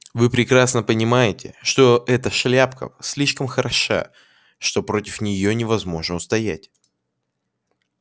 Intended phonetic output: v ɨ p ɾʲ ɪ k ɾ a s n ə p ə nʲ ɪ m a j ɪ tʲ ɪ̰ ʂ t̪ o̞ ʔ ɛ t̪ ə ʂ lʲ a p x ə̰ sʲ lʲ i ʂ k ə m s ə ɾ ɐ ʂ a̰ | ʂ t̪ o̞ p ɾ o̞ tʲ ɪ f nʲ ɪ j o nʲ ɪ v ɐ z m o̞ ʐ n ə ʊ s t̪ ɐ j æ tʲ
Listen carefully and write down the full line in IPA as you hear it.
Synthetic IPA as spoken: v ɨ p ɾʲ ɪ k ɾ a s n ə p ə nʲ ɪ m a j ɪ tʲ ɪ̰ ʂ t̪ o̞ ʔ ɛ t̪ ə ʂ lʲ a p k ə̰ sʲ lʲ i ʂ k ə m x ə ɾ ɐ ʂ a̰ | ʂ t̪ o̞ p ɾ o̞ tʲ ɪ f nʲ ɪ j o nʲ ɪ v ɐ z m o̞ ʐ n ə ʊ s t̪ ɐ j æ tʲ